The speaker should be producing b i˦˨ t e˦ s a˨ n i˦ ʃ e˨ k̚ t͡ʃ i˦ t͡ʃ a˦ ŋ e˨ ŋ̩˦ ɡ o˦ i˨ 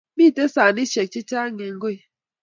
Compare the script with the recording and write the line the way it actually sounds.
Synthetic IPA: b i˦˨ t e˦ s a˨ n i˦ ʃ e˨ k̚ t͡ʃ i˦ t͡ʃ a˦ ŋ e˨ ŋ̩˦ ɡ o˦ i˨